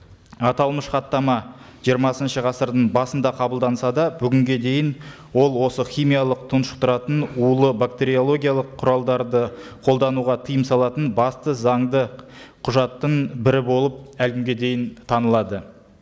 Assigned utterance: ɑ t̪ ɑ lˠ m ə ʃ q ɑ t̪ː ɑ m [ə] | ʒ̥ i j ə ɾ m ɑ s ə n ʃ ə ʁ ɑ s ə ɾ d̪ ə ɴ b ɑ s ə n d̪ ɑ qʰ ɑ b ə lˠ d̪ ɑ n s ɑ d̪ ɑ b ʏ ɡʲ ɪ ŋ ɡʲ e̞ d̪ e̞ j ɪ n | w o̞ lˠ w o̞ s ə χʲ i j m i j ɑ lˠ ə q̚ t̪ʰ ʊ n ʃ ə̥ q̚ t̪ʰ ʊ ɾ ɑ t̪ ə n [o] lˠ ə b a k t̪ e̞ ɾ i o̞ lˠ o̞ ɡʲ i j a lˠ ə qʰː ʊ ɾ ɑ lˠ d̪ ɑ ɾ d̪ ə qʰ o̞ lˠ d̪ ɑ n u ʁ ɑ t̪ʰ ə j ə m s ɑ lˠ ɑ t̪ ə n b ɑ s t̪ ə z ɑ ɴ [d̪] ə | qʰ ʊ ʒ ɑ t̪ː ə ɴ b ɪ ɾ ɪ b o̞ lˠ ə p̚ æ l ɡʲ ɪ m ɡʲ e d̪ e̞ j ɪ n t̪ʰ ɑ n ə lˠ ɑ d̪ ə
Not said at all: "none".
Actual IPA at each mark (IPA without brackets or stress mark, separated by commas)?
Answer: ɑ, u, d̪